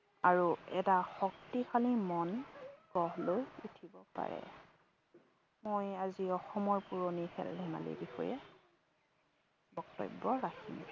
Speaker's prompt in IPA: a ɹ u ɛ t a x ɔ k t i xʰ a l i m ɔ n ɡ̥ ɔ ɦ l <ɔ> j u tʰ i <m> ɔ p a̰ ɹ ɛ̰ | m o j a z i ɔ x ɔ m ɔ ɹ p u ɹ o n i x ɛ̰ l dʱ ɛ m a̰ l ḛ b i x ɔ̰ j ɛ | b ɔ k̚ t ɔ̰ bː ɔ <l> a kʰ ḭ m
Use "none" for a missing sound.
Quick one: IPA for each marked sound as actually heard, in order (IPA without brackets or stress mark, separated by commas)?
o, b, ɹ